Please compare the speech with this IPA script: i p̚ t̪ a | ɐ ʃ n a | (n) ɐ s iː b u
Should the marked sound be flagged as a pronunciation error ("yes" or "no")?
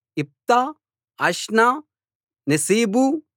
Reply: no